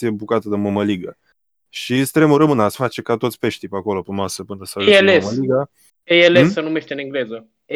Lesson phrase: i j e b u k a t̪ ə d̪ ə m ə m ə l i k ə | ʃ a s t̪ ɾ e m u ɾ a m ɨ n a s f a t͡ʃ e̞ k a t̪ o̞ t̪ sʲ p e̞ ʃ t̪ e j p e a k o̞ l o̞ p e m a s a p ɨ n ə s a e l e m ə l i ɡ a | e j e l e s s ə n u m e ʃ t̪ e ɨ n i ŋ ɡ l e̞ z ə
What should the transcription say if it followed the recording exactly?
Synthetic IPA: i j e b u k a t̪ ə d̪ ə m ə m ə l i ɡ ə | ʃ i s t̪ ɾ e m u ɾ ə m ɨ n a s f a t͡ʃ e̞ k a t̪ o̞ t̪ sʲ p e̞ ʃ t̪ i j p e a k o̞ l o̞ p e m a s ə p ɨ n ə s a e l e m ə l i ɡ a | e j e l e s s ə n u m e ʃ t̪ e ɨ n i ŋ ɡ l e̞ z ə